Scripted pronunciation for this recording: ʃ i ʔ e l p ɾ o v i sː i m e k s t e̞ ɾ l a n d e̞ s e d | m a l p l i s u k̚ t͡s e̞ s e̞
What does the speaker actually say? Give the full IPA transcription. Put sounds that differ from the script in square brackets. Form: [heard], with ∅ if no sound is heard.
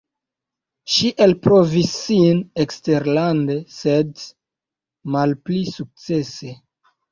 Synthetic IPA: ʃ i ʔ e l p ɾ o v i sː i [n] e k s t e̞ ɾ l a n d e̞ s e d | m a l p l i s u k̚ t͡s e̞ s e̞